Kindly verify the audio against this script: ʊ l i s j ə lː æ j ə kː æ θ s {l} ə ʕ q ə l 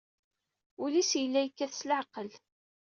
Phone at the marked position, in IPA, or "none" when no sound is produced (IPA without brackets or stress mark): l